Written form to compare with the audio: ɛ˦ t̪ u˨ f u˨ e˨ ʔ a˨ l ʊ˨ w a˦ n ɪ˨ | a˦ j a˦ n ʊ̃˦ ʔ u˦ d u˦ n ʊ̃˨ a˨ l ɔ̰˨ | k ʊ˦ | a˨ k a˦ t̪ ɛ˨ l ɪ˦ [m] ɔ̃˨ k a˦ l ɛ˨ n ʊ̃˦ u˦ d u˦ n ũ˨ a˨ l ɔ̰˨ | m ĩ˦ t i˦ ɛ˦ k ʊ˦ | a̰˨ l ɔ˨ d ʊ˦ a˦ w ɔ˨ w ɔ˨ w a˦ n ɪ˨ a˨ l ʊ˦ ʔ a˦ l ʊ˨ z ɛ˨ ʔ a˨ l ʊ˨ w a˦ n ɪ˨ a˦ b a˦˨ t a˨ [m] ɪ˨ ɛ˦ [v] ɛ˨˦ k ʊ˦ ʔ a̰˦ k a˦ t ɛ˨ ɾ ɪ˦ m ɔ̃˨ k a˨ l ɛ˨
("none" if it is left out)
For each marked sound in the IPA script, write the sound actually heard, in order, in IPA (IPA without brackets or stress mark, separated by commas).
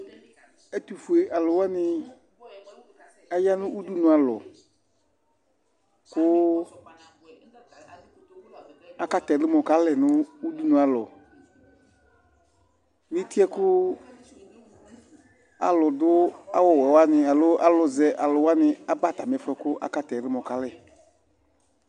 m, m, f